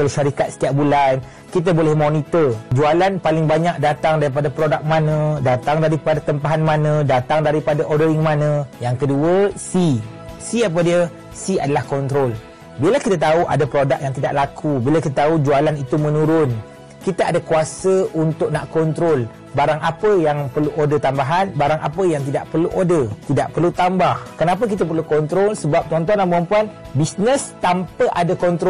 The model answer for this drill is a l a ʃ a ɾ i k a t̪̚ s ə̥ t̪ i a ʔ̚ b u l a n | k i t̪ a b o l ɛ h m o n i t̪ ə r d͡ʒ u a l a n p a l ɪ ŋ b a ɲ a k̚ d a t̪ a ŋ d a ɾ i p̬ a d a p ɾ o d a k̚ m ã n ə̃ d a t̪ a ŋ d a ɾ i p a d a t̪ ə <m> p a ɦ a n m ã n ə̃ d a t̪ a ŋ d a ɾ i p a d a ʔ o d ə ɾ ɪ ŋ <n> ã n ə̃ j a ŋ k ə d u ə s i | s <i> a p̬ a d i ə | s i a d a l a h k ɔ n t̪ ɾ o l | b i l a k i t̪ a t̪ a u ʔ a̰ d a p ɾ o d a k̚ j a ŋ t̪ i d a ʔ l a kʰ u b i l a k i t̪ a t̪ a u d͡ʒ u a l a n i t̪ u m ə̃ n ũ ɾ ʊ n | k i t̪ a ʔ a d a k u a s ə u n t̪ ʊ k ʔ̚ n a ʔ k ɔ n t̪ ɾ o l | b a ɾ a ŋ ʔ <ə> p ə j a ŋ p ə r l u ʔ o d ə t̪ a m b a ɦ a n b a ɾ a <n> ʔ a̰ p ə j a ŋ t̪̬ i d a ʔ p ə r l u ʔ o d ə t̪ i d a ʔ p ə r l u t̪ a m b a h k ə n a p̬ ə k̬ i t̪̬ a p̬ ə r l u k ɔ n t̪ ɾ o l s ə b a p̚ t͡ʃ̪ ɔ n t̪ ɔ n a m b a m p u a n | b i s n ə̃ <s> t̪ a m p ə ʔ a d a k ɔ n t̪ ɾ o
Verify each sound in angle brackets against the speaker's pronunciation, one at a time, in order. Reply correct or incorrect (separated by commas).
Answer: correct, incorrect, correct, incorrect, incorrect, correct